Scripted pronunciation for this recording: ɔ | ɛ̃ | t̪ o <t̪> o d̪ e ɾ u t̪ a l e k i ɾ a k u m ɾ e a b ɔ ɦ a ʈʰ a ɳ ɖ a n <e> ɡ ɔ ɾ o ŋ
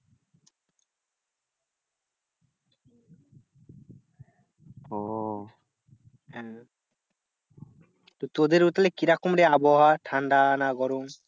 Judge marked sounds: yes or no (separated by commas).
yes, no